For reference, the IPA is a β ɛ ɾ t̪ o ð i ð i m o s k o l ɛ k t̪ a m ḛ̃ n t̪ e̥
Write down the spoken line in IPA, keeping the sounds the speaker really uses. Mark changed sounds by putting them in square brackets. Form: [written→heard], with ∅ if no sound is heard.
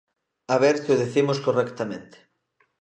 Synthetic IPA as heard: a β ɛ ɾ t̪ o ð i [ð→θ] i m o s k o [l→r] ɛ k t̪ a m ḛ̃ n t̪ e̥